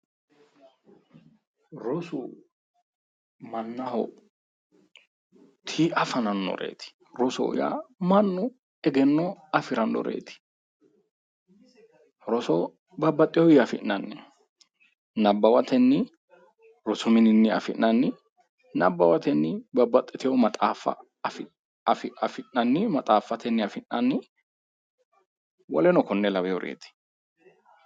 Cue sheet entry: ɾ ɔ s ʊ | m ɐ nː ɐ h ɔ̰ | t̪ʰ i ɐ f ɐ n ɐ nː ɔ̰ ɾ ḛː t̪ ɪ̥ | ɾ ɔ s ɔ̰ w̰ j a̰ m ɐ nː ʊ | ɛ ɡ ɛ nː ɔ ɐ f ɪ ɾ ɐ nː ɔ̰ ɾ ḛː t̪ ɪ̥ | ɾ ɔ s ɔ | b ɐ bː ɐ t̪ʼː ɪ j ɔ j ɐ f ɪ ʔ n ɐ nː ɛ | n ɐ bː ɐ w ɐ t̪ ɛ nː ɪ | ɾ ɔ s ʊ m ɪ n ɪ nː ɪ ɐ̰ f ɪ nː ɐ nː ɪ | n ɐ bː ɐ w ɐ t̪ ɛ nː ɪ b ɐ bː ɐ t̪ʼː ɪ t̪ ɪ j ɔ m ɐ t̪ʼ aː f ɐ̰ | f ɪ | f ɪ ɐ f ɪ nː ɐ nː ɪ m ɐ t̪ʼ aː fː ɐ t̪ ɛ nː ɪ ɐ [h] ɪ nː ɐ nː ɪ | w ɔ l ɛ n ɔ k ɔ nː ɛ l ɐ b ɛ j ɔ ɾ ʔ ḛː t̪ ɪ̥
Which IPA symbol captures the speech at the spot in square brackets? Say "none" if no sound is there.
f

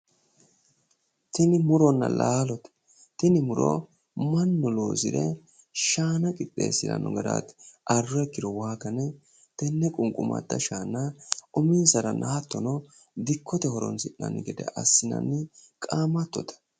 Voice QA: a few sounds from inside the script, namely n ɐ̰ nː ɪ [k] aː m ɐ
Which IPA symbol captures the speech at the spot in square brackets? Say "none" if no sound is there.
kʼ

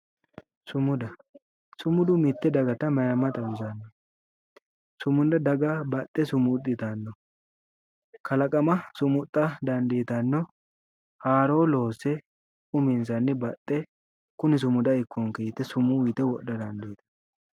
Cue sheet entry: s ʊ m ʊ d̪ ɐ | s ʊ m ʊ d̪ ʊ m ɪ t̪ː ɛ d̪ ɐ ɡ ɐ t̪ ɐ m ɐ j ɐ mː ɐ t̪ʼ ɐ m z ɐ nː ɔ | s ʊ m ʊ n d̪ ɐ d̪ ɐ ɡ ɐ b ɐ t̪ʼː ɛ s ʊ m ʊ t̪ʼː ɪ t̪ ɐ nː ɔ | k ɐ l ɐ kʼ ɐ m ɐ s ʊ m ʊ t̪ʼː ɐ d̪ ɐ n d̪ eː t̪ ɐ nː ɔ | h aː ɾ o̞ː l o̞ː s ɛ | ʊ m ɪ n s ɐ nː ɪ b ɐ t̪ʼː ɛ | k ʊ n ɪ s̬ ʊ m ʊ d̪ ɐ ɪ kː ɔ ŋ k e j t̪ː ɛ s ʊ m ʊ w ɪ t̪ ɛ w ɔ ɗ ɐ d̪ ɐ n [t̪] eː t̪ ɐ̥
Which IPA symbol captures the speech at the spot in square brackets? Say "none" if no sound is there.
d̪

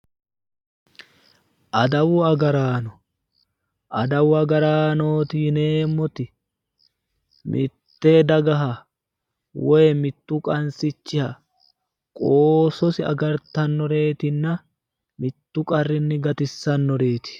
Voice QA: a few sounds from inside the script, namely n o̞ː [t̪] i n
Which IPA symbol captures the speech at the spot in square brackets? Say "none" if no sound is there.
t̪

